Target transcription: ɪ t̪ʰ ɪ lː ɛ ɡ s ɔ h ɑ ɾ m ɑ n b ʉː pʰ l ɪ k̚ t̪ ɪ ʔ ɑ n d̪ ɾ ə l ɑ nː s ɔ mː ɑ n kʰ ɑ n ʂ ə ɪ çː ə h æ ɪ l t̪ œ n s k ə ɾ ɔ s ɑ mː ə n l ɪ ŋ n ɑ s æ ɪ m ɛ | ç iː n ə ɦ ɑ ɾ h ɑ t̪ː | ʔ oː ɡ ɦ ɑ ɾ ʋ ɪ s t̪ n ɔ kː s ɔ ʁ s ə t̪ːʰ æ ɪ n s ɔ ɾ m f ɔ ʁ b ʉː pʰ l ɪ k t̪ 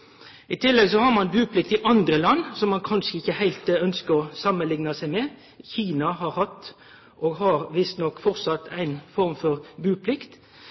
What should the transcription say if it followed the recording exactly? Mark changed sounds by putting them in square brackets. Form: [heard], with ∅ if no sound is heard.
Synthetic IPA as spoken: ɪ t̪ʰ ɪ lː ɛ ɡ s ɔ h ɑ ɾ m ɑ n b ʉː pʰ l ɪ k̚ t̪ ɪ ʔ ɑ n d̪ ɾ ə l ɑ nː s ɔ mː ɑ n kʰ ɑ n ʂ ə ɪ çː ə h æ ɪ l t̪ œ n s k ə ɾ ɔ s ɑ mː ə n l ɪ ŋ n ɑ s æ ɪ m ɛ | ç iː n [ɑ] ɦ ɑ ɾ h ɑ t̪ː | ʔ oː ɡ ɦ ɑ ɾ ʋ ɪ s t̪ n ɔ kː [f] ɔ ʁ s [ɑ] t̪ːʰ æ ɪ n [f] ɔ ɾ m f ɔ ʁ b ʉː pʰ l ɪ k t̪